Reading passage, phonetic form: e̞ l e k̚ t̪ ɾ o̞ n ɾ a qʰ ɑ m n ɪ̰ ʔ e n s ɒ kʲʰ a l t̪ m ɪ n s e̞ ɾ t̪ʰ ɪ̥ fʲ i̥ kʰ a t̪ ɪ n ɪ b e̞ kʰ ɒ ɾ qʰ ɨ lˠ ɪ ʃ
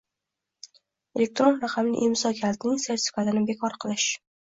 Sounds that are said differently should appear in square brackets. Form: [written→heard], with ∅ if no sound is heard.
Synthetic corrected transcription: e̞ l e k̚ t̪ ɾ o̞ n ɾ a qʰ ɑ m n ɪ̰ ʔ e [n→m] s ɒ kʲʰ a l t̪ [m→n] ɪ [n→ŋ] s e̞ ɾ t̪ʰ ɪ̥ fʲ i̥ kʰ a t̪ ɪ n ɪ b e̞ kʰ ɒ ɾ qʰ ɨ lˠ ɪ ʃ